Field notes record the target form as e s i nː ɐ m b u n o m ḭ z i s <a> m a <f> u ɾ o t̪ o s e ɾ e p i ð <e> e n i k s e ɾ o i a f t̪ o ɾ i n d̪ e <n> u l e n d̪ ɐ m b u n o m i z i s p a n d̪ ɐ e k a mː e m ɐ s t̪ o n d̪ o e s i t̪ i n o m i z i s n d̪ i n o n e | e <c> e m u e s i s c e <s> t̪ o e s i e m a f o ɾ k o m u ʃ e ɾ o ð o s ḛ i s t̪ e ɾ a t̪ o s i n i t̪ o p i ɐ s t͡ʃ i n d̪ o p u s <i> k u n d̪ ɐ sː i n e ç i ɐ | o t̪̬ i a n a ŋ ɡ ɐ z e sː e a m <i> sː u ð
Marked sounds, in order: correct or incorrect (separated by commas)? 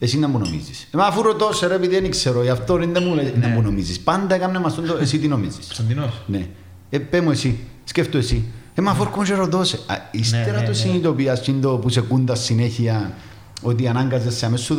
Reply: incorrect, correct, incorrect, incorrect, incorrect, incorrect, incorrect, incorrect